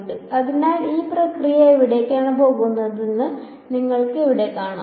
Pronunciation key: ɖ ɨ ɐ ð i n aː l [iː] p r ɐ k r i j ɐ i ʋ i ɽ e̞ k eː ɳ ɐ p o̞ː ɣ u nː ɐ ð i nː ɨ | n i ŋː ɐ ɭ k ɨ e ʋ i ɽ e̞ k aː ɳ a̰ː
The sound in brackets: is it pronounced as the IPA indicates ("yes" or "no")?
yes